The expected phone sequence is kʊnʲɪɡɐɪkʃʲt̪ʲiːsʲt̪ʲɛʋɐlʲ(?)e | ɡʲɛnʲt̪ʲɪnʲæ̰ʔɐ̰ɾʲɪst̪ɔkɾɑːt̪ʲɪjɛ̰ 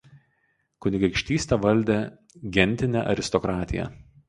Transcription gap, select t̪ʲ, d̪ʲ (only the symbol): d̪ʲ